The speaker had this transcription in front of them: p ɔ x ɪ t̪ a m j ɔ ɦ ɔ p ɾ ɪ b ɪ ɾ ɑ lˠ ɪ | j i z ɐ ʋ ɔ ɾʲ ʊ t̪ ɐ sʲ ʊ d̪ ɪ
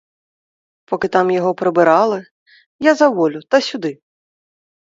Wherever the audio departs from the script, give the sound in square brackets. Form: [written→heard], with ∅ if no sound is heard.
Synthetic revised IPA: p ɔ [x→k] ɪ t̪ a m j ɔ ɦ ɔ p ɾ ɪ b ɪ ɾ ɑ lˠ ɪ | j [i→a] z ɐ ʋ ɔ [ɾʲ→lʲ] ʊ t̪ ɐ sʲ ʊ d̪ ɪ